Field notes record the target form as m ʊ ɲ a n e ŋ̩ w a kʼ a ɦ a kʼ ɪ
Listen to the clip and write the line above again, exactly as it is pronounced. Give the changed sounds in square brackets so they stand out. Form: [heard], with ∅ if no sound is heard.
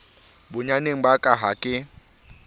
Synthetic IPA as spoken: [b] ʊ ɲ a n e ŋ̩ [b] a kʼ a ɦ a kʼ ɪ